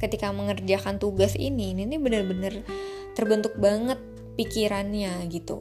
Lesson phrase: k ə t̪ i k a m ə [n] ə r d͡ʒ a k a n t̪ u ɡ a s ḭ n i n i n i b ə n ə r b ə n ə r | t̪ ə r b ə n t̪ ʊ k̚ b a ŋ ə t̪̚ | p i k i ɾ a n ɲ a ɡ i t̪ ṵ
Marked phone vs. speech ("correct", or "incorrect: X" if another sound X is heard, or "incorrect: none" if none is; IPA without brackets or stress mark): incorrect: ŋ